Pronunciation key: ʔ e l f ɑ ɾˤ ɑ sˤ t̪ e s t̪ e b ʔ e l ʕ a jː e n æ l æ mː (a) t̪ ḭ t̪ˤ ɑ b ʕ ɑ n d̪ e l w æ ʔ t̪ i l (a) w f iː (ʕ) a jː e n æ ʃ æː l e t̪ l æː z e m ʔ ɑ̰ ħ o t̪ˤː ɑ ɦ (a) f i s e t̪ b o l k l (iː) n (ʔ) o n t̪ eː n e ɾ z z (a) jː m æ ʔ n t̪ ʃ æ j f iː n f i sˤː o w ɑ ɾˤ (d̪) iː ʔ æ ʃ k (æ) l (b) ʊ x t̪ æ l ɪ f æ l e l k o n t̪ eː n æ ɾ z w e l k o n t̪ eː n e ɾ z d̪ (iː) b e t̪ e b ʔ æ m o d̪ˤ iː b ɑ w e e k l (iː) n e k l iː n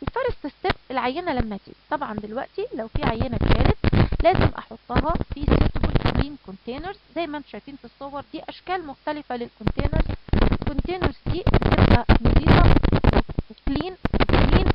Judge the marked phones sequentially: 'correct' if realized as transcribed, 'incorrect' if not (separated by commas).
incorrect, incorrect, correct, incorrect, correct, incorrect, incorrect, correct, incorrect, incorrect, correct, correct